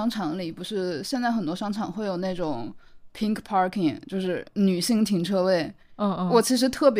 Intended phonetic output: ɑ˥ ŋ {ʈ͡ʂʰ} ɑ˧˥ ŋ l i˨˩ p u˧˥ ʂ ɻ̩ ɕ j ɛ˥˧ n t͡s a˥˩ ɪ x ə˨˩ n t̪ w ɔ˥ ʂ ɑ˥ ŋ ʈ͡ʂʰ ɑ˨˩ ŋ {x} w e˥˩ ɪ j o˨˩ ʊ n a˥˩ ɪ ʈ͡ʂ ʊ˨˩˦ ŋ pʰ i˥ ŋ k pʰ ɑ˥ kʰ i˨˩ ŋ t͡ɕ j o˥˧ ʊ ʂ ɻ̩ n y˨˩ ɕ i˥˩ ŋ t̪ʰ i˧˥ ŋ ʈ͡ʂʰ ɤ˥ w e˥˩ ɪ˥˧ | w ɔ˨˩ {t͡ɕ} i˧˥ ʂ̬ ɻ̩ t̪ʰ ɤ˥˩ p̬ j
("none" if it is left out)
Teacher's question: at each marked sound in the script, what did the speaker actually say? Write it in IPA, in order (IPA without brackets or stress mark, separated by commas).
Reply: ʈ͡ʂʰ, x, t͡ɕʰ